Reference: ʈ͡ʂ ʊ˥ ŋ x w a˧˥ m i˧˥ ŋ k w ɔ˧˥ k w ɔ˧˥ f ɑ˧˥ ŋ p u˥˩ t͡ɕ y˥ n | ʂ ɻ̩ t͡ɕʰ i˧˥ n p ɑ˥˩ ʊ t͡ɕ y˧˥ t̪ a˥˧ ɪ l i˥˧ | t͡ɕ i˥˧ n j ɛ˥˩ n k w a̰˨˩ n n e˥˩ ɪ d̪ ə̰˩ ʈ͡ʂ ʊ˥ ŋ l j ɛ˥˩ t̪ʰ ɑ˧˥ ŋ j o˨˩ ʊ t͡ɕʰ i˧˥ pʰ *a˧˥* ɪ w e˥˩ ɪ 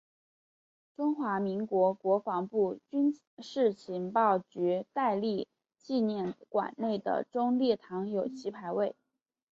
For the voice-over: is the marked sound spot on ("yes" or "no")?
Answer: yes